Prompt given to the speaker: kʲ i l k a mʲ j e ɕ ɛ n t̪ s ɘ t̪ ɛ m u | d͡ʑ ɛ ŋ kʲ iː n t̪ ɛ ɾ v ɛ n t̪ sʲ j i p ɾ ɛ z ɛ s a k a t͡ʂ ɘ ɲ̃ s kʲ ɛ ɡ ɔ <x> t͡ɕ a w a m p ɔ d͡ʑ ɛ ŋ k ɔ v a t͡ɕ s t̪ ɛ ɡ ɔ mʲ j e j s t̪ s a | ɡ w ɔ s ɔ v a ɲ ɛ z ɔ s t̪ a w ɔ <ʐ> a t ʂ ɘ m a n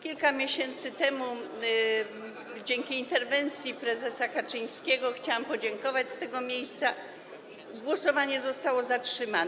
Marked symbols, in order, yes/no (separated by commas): yes, no